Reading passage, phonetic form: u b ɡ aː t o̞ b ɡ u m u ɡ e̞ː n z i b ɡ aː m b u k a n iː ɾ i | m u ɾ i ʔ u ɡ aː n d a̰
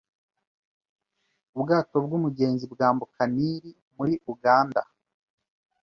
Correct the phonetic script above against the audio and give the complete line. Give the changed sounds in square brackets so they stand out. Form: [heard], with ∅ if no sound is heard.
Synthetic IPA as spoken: u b ɡ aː t o̞ b ɡ u m u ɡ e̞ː n z i b ɡ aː m b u k a n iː ɾ i | m u ɾ i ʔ u ɡ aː n d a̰